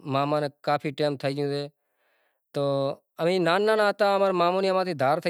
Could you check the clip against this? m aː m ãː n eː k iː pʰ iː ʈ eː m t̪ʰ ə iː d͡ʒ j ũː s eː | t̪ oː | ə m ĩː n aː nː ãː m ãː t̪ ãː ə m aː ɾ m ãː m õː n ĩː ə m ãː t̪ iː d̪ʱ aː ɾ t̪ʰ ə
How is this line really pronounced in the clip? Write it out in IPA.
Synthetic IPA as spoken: m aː m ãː n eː k aː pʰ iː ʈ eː m t̪ʰ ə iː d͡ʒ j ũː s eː | t̪ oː | ə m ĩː n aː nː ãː n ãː t̪ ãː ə m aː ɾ m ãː m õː n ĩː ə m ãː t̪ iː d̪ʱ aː ɾ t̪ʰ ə